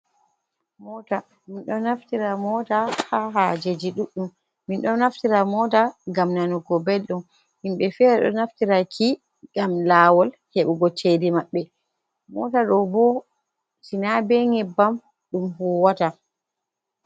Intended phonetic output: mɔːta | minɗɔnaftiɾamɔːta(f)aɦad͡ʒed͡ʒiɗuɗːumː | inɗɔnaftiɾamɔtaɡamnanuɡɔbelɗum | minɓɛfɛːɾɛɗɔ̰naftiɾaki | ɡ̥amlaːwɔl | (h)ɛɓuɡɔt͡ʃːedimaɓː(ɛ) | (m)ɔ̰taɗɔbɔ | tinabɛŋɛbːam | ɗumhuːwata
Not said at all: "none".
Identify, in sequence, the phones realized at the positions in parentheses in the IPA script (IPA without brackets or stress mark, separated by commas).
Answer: h, h, ɛ, m